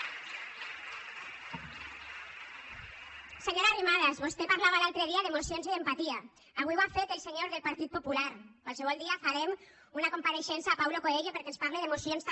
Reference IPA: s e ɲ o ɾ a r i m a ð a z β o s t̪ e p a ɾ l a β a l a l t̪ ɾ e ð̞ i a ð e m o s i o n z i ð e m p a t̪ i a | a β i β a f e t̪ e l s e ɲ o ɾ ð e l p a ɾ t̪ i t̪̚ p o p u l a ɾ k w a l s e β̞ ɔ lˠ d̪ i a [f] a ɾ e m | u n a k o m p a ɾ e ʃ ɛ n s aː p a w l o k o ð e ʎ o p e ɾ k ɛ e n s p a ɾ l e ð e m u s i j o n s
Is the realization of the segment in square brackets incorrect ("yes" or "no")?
no